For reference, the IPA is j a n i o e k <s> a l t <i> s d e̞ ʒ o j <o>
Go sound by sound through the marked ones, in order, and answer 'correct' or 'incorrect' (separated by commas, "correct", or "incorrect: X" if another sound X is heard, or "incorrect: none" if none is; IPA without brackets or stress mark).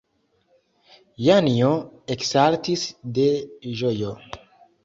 correct, correct, correct